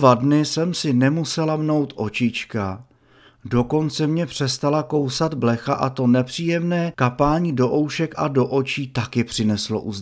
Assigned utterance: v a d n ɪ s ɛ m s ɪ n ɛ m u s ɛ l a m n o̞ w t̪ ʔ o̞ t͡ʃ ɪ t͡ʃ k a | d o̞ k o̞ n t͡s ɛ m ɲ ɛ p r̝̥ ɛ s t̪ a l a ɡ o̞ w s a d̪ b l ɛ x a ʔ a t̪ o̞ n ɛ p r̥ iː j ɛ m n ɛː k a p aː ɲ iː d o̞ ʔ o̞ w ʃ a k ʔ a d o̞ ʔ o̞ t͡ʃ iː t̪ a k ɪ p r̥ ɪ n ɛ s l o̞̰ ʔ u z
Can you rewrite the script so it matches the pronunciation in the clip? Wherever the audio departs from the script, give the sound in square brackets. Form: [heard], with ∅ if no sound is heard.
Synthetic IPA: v a d n ɪ s ɛ m s ɪ n ɛ m u s ɛ l a m n o̞ w t̪ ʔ o̞ t͡ʃ ɪ t͡ʃ k a | d o̞ k o̞ n t͡s ɛ m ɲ ɛ p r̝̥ ɛ s t̪ a l a [k] o̞ w s a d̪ b l ɛ x a ʔ a t̪ o̞ n ɛ p r̥ iː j ɛ m n ɛː k a p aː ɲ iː d o̞ ʔ o̞ w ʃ [ɛ] k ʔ a d o̞ ʔ o̞ t͡ʃ iː t̪ a k ɪ p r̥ ɪ n ɛ s l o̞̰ ʔ u z